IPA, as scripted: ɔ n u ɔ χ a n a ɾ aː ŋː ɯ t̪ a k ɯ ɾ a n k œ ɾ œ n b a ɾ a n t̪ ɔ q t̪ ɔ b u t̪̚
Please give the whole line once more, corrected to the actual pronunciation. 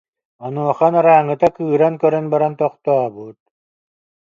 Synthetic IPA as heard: ɔ n u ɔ χ a n a ɾ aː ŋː ɯ t̪ a k ɯː ɾ a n k œ ɾ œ n b a ɾ a n t̪ ɔ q t̪ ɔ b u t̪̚